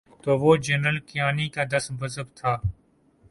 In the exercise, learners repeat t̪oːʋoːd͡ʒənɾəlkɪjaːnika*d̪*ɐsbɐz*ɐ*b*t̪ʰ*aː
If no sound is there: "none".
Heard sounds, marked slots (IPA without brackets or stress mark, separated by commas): d̪, ə, t̪ʰ